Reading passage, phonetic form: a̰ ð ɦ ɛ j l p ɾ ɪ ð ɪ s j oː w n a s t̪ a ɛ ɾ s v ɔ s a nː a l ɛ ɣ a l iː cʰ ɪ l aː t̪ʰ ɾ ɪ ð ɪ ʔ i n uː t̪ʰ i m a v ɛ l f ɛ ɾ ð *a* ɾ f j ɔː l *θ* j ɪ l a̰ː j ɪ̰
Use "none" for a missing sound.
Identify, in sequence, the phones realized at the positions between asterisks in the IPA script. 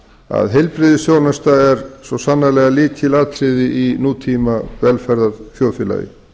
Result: a, f

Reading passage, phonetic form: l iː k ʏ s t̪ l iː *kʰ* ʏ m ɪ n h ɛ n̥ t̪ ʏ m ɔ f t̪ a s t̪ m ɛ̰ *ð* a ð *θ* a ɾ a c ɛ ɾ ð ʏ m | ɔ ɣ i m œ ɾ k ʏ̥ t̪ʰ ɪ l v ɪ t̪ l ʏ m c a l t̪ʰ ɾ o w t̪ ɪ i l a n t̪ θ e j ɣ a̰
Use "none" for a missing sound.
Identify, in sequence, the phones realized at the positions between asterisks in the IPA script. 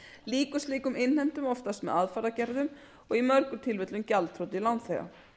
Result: k, ð, f

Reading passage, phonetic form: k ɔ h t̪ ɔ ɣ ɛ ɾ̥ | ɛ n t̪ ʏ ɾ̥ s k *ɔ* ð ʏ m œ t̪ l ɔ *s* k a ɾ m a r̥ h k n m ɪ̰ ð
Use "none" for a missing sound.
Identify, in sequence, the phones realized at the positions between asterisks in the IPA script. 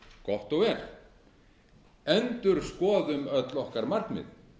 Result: ɔː, h

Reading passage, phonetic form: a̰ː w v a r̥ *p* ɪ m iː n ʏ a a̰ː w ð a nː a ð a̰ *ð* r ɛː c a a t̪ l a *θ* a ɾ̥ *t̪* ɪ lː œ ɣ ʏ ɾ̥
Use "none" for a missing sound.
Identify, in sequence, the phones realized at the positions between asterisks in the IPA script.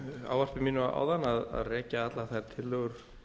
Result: p, ð, θ, t̪ʰ

